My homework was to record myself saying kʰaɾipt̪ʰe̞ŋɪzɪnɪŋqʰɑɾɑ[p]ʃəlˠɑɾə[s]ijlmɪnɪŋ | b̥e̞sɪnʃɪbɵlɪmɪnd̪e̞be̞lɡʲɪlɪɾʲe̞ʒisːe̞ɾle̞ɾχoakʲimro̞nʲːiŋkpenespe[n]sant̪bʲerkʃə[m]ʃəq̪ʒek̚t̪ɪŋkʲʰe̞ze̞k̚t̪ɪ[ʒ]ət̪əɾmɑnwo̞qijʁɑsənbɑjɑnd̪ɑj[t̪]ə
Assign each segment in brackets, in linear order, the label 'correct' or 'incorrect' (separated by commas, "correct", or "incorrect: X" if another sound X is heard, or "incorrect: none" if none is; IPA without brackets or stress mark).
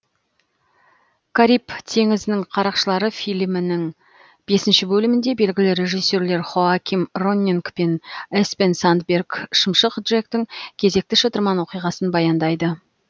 incorrect: q, incorrect: f, correct, correct, incorrect: ʃ, incorrect: d̪